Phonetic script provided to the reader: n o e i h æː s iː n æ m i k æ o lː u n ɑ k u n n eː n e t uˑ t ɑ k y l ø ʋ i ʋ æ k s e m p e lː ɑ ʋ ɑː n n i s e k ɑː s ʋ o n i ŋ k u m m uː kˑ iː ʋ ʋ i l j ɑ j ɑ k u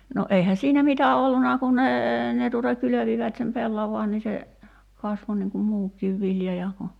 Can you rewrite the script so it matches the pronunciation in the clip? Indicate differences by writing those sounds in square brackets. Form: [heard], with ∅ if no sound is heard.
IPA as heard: n o e i h [æ] s iː n æ m i [t] æ o lː u n ɑ k u n n eː n e t uˑ t ɑ k y l ø ʋ i ʋ æ [t] s e m p e lː ɑ ʋ ɑː n n i s e k [ɑ] s ʋ o n i ŋ k u m m uː kˑ iː ʋ ʋ i l j ɑ j ɑ k u